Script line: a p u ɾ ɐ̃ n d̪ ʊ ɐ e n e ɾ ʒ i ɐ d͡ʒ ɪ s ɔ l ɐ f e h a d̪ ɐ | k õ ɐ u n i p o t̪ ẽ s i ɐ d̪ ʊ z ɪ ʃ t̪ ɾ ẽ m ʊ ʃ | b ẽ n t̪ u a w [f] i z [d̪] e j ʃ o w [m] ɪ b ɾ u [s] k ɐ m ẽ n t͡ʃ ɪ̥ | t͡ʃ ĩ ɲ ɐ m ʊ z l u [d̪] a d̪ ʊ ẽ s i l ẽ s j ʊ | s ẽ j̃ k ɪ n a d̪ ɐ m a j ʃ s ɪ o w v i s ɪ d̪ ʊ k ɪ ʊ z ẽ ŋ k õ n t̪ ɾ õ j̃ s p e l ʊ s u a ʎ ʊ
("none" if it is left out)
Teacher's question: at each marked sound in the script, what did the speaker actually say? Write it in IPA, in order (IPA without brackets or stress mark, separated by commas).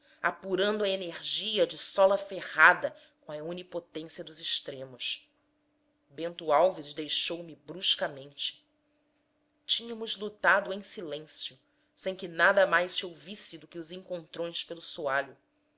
v, d̪, m, ʃ, t̪